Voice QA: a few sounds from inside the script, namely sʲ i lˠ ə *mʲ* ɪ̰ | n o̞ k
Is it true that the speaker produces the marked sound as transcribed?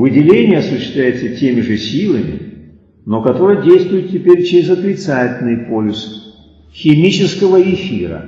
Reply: yes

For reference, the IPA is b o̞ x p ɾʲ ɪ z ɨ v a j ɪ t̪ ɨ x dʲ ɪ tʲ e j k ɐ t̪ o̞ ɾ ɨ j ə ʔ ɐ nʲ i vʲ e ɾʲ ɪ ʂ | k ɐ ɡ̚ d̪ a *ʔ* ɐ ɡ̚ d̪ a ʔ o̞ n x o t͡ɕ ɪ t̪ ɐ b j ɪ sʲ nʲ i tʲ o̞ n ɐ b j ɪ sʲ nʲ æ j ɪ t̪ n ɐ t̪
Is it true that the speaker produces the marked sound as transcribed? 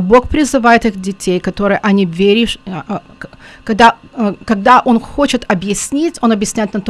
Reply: no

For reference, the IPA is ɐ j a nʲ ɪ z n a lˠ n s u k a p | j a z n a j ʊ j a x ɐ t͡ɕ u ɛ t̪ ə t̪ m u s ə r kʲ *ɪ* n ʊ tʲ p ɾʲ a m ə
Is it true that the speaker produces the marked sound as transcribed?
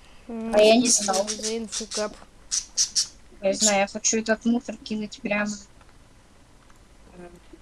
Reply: no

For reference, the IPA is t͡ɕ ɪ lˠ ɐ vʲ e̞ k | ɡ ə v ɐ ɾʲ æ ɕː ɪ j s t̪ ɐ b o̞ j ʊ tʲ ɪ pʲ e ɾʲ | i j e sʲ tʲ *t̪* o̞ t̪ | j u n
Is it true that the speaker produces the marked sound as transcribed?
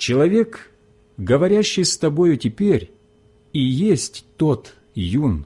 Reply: yes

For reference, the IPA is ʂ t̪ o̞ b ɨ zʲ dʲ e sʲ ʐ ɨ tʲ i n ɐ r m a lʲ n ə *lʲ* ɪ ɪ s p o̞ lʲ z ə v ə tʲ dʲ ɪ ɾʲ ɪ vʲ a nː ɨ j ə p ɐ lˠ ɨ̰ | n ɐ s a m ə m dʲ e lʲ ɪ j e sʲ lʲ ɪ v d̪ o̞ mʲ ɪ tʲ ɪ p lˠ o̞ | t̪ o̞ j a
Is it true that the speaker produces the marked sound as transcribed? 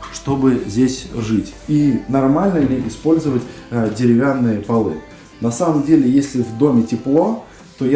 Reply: yes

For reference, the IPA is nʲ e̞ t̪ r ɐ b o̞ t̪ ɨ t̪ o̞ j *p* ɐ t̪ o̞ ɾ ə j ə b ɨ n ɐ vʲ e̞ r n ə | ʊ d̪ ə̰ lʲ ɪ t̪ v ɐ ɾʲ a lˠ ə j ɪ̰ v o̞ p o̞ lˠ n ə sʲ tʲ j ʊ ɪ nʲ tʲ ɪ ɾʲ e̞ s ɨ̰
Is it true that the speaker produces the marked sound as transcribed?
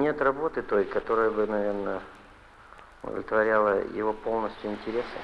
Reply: no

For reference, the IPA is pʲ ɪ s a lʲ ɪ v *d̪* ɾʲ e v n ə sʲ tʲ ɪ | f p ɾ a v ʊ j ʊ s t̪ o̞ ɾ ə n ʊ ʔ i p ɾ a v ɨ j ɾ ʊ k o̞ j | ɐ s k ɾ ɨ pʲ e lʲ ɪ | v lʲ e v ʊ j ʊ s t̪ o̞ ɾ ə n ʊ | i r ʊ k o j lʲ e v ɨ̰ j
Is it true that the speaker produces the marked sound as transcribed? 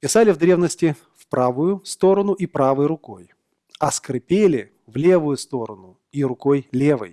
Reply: yes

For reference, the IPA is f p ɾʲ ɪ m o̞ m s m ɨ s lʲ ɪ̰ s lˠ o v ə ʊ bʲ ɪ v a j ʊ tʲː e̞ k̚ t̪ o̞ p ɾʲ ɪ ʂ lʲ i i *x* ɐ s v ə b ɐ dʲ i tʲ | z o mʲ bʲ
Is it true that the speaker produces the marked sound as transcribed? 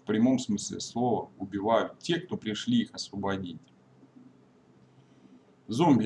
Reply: yes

